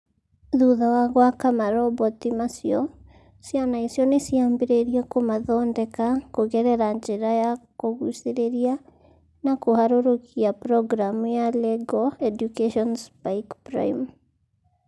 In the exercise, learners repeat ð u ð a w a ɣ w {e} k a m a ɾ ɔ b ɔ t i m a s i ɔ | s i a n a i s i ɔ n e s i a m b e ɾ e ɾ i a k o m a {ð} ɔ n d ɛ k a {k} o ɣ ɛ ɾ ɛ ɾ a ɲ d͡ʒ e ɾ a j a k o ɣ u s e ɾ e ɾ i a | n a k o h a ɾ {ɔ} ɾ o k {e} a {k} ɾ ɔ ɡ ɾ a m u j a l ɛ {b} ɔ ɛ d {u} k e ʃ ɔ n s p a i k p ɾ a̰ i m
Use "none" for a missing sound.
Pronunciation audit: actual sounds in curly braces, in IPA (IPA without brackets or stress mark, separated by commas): a, ð, k, o, i, p, ɡ, u